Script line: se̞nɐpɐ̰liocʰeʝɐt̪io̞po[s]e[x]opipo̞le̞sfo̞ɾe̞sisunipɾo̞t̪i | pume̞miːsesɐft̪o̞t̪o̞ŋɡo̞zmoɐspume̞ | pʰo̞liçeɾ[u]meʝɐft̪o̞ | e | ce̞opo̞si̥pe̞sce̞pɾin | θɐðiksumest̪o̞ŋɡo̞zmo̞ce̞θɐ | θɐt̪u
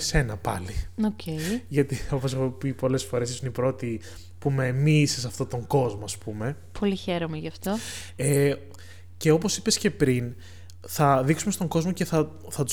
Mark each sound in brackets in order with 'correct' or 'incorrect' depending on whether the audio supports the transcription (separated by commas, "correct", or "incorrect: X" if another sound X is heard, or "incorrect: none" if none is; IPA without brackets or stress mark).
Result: correct, correct, incorrect: o